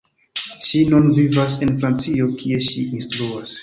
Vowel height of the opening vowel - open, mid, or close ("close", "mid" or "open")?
close